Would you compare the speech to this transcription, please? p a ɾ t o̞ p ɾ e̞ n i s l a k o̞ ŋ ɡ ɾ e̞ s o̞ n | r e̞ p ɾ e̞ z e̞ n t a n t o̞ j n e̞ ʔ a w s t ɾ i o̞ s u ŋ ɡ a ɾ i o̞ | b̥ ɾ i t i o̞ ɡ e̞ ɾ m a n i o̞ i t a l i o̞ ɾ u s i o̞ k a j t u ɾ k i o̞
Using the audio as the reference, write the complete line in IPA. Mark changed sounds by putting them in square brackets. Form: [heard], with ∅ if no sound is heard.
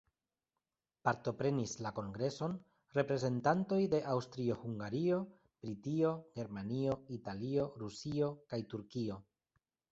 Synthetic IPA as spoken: p a ɾ t o̞ p ɾ e̞ n i s l a k o̞ ŋ ɡ ɾ e̞ s o̞ n | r e̞ p ɾ e̞ z e̞ n t a n t o̞ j [d] e̞ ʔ a w s t ɾ i o̞ [h] u ŋ ɡ a ɾ i o̞ | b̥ ɾ i t i o̞ ɡ e̞ ɾ m a n i o̞ i t a l i o̞ ɾ u s i o̞ k a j t u ɾ k i o̞